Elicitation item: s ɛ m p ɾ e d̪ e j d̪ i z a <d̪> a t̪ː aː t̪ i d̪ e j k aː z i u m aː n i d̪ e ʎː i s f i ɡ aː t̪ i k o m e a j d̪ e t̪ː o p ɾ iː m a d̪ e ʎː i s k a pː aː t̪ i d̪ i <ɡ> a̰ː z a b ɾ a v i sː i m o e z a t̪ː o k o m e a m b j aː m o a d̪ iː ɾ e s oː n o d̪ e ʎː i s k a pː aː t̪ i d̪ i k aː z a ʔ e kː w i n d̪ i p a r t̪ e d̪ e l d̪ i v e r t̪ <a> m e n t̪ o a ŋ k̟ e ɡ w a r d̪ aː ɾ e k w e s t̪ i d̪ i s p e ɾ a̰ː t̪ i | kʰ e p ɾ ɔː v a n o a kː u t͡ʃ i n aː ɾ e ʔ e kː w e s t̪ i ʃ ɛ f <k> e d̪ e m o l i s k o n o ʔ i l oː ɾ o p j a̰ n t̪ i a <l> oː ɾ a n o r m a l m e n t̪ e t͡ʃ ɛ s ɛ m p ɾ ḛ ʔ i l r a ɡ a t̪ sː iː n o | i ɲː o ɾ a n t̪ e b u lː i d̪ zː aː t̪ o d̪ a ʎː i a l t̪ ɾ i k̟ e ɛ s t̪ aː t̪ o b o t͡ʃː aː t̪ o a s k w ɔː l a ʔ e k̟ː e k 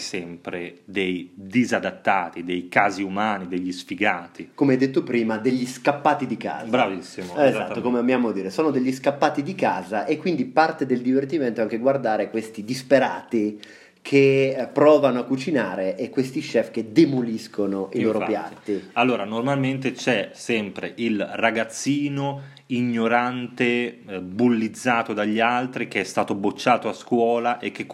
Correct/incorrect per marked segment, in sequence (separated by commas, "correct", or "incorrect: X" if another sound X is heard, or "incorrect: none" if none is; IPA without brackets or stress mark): correct, incorrect: k, incorrect: i, correct, incorrect: lː